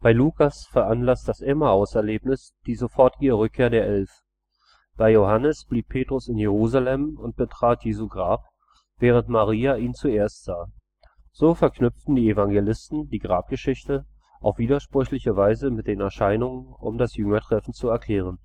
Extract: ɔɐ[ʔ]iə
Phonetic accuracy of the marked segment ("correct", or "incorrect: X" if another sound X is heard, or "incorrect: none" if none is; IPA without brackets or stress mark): incorrect: t